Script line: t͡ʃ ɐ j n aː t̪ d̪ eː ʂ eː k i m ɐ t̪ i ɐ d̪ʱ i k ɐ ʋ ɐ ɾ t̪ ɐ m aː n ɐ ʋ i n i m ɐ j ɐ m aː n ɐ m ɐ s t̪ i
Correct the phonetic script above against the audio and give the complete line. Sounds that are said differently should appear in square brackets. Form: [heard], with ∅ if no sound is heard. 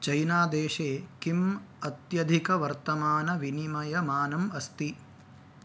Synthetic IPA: t͡ʃ ɐ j n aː [∅] d̪ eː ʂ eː k i m ɐ t̪ [j] ɐ d̪ʱ i k ɐ ʋ ɐ ɾ t̪ ɐ m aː n ɐ ʋ i n i m ɐ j ɐ m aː n ɐ m ɐ s t̪ i